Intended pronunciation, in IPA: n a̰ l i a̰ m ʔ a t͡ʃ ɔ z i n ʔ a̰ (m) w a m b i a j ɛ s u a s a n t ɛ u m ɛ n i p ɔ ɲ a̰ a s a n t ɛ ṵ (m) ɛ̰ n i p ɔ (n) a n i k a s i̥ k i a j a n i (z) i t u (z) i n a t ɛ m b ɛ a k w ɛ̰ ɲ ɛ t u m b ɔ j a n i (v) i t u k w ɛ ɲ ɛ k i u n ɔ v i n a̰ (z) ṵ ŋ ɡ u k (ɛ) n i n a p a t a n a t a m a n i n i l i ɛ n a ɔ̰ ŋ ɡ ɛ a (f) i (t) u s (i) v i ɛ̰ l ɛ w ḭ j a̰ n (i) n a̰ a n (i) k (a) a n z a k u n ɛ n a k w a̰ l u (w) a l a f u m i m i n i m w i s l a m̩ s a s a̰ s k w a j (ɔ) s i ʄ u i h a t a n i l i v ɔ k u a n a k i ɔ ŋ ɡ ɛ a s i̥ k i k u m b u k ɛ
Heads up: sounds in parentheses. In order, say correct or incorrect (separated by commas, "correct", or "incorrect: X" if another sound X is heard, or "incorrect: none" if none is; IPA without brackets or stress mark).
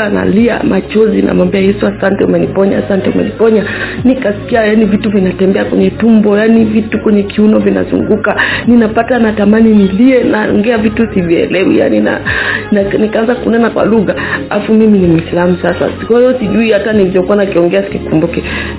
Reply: correct, correct, incorrect: ɲ, incorrect: v, incorrect: v, correct, correct, incorrect: a, incorrect: v, correct, correct, correct, correct, correct, incorrect: ɣ, correct